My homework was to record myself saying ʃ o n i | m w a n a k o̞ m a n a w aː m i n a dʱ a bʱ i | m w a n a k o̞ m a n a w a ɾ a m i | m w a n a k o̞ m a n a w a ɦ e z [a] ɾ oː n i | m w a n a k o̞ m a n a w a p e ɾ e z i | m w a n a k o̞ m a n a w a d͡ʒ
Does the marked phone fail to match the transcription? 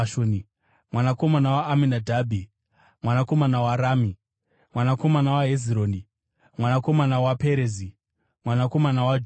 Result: yes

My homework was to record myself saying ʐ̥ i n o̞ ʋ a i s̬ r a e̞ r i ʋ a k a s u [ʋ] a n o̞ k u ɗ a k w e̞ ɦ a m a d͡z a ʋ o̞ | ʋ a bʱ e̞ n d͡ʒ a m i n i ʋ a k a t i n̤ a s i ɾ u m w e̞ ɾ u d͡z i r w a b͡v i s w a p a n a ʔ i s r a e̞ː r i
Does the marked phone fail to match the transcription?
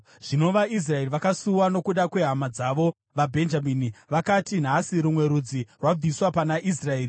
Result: yes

